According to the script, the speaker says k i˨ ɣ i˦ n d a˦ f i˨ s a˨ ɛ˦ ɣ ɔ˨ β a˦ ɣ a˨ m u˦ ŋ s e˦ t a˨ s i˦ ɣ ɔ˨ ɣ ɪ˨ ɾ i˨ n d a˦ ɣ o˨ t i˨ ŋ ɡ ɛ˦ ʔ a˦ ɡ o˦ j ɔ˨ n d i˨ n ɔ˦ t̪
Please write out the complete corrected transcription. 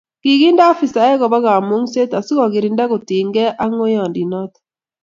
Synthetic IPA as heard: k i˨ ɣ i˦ n d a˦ f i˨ s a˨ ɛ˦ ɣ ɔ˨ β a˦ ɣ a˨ m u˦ ŋ s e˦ t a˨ s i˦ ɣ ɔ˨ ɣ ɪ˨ ɾ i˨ n d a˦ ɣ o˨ t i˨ ŋ ɡ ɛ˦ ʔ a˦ ŋ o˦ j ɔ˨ n d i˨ n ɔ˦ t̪